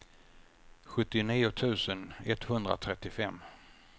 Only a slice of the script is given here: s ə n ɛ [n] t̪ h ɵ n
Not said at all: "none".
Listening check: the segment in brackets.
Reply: none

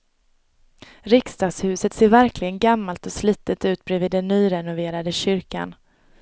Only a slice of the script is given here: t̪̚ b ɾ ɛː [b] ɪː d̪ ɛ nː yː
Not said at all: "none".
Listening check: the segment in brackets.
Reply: v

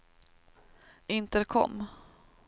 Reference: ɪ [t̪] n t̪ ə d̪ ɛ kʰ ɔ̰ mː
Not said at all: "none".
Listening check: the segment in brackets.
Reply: none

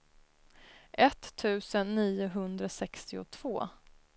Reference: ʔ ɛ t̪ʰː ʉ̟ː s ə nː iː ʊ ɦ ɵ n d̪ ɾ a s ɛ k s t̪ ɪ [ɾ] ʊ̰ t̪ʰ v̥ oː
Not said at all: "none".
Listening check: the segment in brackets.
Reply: none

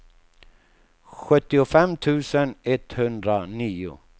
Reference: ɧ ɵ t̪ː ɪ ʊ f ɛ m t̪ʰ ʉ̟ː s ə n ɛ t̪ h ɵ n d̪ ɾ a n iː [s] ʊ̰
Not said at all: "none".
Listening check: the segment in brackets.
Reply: none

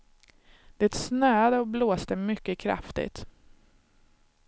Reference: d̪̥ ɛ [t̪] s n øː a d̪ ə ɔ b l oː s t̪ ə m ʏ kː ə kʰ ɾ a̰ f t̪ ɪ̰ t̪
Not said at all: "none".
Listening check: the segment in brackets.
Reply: t̪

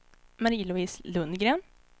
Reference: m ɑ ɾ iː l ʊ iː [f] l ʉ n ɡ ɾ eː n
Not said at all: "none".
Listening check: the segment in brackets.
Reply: s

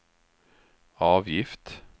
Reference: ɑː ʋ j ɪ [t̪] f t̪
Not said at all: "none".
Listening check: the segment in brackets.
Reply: none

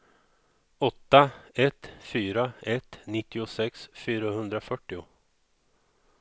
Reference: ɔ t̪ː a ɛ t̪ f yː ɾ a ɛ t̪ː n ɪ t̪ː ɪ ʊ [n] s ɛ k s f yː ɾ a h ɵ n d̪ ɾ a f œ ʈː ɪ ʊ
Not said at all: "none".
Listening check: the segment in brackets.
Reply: none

